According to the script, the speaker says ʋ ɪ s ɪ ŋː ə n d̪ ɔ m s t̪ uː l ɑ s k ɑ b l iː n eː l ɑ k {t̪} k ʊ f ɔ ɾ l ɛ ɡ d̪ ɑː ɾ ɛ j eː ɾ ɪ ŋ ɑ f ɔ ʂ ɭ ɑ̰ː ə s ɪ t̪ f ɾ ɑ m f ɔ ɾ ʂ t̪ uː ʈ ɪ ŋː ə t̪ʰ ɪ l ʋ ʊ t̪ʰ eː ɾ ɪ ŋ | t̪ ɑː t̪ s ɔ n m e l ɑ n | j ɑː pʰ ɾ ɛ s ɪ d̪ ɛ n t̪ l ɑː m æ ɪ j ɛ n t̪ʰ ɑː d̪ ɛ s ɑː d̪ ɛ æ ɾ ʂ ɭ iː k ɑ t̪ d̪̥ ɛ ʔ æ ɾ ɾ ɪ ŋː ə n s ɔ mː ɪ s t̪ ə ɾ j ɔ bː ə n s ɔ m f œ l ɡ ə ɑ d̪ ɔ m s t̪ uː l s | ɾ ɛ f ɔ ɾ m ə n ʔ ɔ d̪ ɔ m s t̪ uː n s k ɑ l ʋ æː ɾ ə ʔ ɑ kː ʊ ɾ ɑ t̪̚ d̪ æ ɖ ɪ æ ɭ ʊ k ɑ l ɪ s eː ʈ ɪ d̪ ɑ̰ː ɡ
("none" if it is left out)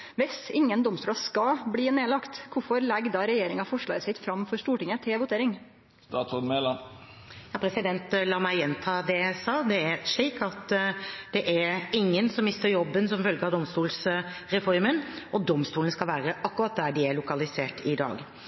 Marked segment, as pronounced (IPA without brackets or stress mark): t̪